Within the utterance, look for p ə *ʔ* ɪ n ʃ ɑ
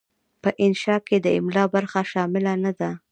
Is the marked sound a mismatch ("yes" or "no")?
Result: no